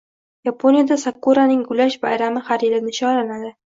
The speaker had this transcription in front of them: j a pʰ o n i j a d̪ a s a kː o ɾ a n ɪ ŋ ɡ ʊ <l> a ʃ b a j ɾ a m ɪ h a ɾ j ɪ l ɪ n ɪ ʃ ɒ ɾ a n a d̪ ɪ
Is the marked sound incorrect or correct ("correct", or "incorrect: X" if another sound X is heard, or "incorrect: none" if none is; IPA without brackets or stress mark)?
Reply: correct